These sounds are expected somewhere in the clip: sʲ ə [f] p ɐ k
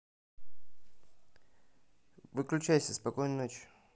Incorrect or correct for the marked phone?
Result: incorrect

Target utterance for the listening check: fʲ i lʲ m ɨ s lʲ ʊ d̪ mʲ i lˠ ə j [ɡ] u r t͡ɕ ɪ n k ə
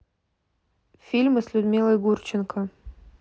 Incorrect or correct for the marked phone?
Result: correct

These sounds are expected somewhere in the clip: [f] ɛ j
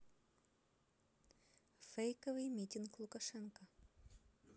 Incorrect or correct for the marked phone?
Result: correct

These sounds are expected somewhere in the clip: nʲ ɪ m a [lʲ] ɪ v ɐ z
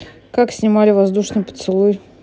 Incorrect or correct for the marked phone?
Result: correct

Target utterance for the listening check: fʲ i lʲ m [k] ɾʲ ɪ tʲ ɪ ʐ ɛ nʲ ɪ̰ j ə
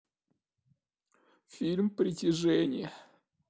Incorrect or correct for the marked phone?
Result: incorrect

